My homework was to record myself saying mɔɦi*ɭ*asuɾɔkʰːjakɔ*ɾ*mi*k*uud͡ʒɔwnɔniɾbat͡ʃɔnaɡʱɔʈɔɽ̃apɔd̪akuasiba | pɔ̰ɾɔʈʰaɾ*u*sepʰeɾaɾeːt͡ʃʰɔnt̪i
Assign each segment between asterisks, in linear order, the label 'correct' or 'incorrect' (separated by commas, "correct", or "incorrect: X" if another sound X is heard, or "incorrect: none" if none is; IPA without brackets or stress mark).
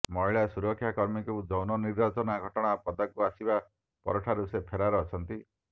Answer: correct, correct, correct, correct